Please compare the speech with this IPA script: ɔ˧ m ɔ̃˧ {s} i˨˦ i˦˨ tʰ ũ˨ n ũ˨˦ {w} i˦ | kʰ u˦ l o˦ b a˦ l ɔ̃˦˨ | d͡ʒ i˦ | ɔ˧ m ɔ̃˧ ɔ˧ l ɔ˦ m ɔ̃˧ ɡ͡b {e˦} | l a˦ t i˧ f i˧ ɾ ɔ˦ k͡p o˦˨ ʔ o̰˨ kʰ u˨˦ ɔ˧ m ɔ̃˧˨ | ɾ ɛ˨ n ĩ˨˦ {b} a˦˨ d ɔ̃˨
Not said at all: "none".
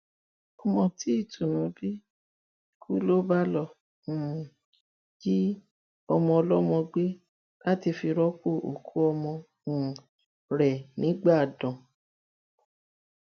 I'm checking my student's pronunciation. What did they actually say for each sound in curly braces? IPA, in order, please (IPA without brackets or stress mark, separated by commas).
t, b, e˦, ɡ͡b